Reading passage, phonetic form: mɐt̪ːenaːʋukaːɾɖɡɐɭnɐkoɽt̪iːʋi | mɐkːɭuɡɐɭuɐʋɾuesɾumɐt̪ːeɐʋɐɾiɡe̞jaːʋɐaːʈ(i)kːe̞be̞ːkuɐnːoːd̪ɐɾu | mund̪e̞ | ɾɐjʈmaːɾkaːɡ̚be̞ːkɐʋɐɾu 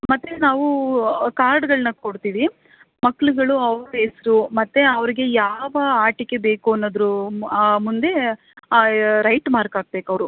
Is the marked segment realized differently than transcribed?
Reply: no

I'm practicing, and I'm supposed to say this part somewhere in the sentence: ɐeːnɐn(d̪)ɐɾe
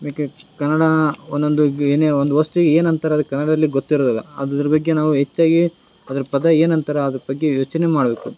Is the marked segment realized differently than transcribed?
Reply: yes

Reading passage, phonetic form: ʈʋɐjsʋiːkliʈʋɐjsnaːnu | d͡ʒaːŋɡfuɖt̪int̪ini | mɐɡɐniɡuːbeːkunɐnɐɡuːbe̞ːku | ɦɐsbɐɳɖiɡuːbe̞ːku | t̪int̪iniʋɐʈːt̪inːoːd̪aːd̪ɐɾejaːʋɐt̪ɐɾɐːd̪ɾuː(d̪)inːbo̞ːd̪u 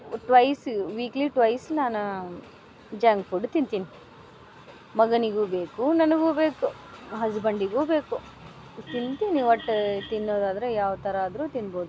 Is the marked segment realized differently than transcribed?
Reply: yes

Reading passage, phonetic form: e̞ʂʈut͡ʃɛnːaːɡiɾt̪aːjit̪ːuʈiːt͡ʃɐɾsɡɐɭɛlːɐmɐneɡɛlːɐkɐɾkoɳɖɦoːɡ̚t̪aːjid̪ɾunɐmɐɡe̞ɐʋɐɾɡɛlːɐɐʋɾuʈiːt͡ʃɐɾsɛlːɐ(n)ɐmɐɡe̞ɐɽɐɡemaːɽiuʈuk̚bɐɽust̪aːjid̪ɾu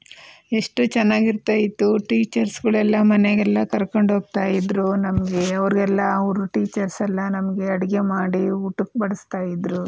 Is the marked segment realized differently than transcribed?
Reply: no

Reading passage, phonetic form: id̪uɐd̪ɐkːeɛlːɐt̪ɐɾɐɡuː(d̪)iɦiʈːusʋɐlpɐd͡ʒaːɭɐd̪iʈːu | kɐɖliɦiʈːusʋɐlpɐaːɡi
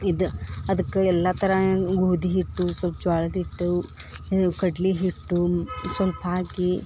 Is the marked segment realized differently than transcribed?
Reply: no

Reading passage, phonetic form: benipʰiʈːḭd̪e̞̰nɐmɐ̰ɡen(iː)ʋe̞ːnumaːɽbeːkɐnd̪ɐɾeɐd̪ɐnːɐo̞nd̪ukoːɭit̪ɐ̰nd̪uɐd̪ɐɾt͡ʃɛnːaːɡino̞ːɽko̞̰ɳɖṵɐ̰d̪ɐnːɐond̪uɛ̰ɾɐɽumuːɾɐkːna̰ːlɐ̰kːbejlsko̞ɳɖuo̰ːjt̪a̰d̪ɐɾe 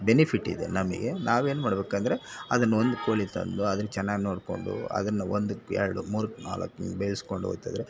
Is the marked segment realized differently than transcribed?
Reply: yes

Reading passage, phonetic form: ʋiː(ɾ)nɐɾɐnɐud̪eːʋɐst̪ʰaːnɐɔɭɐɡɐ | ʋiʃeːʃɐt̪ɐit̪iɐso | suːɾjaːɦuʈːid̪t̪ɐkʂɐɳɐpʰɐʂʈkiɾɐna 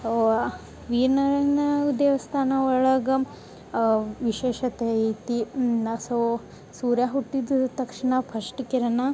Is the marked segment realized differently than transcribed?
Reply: no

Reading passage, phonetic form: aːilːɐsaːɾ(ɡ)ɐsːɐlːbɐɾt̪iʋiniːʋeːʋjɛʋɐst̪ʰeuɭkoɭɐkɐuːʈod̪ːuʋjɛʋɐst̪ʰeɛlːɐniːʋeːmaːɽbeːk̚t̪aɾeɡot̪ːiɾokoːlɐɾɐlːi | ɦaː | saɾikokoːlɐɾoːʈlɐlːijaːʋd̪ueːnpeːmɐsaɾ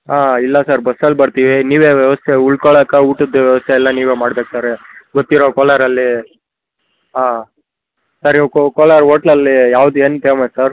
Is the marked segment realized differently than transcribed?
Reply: yes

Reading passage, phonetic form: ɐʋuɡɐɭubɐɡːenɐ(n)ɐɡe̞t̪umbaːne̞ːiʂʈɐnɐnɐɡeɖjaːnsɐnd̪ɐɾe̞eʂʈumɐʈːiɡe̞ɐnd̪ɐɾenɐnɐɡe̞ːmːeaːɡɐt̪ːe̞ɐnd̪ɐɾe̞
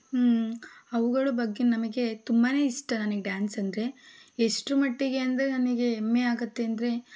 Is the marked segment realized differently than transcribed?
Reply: yes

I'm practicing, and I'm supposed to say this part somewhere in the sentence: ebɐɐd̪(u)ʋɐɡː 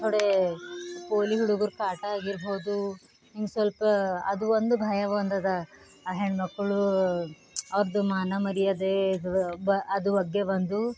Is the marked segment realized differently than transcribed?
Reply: no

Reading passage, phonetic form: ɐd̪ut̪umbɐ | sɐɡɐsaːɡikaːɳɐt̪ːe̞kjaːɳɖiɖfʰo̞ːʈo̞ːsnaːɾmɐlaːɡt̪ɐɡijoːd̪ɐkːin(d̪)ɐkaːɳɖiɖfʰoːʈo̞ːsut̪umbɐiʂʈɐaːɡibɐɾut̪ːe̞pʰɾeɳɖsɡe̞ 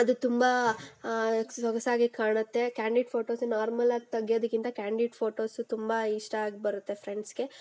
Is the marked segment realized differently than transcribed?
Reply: yes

